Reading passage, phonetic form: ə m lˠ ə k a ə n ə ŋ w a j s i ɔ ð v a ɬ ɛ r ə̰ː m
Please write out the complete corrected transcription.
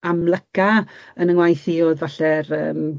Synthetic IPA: a m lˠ ə k a ə n ə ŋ w a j θ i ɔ ð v a ɬ ɛ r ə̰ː m